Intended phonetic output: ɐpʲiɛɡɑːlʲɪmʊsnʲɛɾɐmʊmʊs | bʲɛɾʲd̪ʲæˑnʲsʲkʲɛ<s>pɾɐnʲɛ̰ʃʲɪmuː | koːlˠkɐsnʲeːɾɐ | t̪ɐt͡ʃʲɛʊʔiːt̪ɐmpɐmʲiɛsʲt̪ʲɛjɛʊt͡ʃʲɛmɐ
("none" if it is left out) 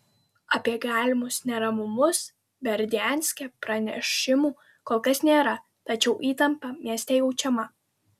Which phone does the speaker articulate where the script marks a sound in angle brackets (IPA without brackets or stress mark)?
none